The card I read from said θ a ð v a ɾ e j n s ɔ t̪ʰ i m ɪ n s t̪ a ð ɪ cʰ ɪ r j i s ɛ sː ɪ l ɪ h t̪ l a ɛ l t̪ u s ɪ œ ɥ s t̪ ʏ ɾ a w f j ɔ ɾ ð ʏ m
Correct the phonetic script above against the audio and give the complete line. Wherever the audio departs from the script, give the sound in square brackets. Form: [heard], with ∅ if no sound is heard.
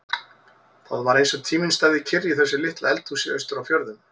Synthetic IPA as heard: θ a ð v a ɾ e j n s ɔ t̪ʰ [iː] m ɪ n s t̪ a ð ɪ cʰ ɪ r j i [θ] ɛ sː ɪ l ɪ h t̪ l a ɛ l t̪ u s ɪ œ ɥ s t̪ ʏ ɾ a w f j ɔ ɾ ð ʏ m

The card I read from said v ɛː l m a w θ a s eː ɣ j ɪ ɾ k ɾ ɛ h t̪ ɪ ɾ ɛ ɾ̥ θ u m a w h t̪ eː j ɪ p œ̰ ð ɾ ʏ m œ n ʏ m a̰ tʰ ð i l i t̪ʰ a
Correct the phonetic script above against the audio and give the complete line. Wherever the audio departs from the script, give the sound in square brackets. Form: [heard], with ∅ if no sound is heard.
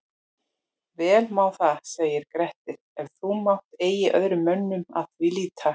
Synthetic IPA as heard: v ɛː l m a w θ a s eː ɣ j ɪ ɾ k ɾ ɛ h t̪ ɪ ɾ ɛ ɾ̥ θ u m a w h t̪ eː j ɪ [ʔ] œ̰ ð ɾ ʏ m œ [nː] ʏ m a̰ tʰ [v] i l i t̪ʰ a

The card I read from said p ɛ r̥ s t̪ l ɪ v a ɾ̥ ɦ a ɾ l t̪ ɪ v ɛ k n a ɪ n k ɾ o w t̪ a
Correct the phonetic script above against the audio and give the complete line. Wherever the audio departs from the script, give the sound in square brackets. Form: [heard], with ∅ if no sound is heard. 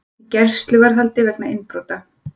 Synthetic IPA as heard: [c] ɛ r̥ s t̪ l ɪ v a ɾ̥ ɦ a [∅] l t̪ ɪ v ɛ k n a ɪ n [p] ɾ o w t̪ a

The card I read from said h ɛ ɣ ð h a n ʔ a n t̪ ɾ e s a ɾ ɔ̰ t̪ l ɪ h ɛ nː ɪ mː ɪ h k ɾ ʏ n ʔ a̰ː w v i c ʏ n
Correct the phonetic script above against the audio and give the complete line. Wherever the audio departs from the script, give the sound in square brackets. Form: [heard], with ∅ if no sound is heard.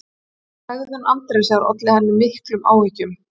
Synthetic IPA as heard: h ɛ ɣ ð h a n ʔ a n t̪ ɾ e s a ɾ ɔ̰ t̪ l ɪ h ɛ nː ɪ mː ɪ h k [l] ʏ [m] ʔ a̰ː w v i c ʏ [m]

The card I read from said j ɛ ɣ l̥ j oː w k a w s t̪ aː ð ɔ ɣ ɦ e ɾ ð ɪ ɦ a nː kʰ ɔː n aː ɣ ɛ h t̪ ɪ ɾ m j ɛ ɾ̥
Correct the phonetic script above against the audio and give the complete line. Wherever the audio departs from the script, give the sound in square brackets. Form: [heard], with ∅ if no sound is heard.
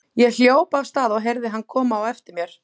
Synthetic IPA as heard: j ɛ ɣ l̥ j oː w [p] a [v] s t̪ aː ð ɔ ɣ ɦ e ɾ ð ɪ ɦ a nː kʰ ɔː [m] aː [w] ɛ [f] t̪ ɪ ɾ m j ɛ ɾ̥

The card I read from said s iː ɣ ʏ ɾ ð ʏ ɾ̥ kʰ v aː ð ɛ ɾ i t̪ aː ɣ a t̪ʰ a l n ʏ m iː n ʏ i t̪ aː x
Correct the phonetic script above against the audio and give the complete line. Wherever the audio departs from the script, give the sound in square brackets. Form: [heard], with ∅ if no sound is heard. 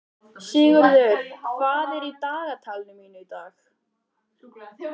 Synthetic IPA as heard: s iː ɣ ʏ ɾ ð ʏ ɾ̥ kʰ v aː ð ɛ ɾ i t̪ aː ɣ a t̪ʰ a l n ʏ m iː n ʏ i t̪ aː x

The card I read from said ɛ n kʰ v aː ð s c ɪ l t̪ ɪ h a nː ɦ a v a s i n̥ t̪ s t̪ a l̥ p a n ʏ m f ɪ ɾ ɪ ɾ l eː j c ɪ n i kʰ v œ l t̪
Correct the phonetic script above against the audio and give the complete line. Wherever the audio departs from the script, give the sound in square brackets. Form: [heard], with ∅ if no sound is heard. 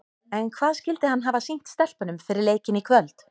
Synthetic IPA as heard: ɛ n kʰ v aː ð s c ɪ l t̪ ɪ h a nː ɦ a v a s i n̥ t̪ s t̪ [ɛ] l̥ p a n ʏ m f ɪ ɾ ɪ ɾ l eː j c ɪ n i kʰ v œ l t̪

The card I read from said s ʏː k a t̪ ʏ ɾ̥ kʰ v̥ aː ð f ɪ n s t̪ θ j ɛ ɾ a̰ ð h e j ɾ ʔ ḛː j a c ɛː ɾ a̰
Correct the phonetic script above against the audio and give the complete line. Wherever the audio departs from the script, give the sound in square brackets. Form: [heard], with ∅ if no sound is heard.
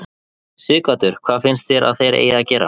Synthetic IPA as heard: s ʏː k a t̪ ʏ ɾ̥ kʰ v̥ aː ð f ɪ n s t̪ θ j ɛ ɾ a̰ ð [θ] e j ɾ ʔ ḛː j a c ɛː ɾ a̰

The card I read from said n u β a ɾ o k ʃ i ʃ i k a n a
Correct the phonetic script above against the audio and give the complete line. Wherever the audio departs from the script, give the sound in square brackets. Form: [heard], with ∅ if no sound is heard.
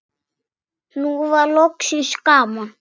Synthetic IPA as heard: n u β a [l] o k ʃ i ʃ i k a [m] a

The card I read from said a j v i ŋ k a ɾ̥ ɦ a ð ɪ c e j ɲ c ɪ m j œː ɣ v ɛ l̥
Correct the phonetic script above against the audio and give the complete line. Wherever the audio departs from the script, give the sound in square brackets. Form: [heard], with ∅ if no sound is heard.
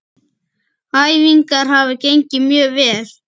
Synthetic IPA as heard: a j v i ŋ k a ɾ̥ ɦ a [v] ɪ c e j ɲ c ɪ m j œː ɣ v [ɛː] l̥

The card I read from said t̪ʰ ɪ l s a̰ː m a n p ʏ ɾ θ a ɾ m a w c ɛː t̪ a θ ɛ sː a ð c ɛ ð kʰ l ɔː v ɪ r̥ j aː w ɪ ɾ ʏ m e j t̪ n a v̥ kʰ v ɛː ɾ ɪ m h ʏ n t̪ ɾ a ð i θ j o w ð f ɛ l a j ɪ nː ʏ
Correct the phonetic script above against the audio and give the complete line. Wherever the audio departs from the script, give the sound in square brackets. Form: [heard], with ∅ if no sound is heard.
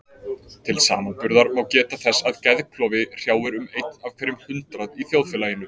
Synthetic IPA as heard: t̪ʰ ɪ l s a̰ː m a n p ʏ ɾ [ð] a ɾ m a w c ɛː t̪ a θ ɛ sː a ð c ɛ ð kʰ l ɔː v ɪ r̥ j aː w ɪ ɾ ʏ m e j t̪ n a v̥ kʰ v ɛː ɾ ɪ m h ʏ n t̪ ɾ a ð i θ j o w ð f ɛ l a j ɪ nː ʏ

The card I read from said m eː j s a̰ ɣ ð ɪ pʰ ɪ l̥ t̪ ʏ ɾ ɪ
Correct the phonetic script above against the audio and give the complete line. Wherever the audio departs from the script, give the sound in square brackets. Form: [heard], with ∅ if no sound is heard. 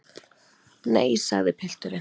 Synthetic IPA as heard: [n] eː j s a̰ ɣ ð ɪ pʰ ɪ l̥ t̪ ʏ ɾ ɪ

